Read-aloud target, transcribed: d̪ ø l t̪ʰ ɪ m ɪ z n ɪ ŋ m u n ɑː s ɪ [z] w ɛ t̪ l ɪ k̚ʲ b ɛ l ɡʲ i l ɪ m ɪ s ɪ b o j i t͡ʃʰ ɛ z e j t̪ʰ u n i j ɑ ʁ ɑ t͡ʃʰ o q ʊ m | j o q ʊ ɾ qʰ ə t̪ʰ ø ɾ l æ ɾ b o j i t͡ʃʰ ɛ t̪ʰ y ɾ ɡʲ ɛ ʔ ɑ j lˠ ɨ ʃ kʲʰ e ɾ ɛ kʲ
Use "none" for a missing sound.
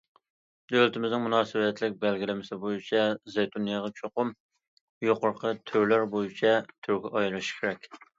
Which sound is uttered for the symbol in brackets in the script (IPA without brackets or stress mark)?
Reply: none